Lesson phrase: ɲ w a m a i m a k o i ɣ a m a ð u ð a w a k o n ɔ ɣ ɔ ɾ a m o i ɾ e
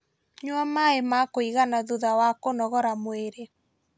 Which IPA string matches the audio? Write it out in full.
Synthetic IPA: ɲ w a m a e m a k o i ɣ a n a ð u ð a w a k o n ɔ ɣ ɔ ɾ a m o e ɾ e